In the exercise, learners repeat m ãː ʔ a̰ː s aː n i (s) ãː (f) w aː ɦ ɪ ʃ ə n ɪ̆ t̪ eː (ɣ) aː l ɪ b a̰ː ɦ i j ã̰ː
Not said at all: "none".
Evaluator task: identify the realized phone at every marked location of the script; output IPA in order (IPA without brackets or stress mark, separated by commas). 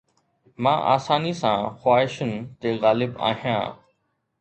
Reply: s, x, ɣ